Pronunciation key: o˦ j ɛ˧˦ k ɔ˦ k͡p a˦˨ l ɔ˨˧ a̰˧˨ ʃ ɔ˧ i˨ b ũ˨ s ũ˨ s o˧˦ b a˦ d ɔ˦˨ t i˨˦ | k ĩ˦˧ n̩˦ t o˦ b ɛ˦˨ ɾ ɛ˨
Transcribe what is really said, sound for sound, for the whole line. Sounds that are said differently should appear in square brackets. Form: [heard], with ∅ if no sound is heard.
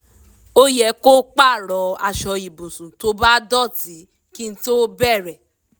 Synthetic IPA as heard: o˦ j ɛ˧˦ k [o˦] k͡p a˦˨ [ɾ] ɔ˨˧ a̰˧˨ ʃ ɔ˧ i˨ b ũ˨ s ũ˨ [t] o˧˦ b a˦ d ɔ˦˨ t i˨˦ | k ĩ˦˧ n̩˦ t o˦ b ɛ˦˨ ɾ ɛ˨